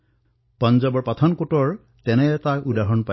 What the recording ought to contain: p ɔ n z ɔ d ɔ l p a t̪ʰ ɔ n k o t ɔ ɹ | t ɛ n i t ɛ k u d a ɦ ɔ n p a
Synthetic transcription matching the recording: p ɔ n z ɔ b ɔ ɹ p a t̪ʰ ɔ n k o t ɔ ɹ | t ɛ n ɛ t a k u d a ɦ ɔ n p a